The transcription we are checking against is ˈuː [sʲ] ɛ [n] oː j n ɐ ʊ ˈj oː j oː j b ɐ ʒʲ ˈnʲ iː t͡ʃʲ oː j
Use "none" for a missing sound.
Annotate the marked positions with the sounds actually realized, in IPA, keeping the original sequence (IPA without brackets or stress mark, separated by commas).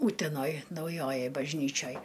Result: tʲ, n